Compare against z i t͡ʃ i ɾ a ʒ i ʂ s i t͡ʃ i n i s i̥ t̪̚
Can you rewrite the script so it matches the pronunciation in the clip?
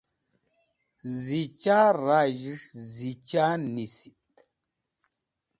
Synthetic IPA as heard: z i t͡ʃ a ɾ a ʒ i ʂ z i t͡ʃ a n i s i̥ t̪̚